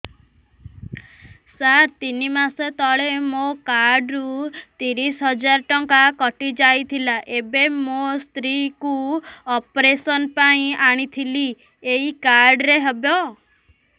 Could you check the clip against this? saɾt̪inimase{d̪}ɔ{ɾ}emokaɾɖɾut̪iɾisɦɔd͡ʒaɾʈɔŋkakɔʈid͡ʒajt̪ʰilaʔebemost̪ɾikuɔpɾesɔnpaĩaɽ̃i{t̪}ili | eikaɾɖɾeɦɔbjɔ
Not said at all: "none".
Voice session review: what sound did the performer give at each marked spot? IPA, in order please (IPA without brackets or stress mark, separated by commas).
t̪, ɭ, t̪ʰ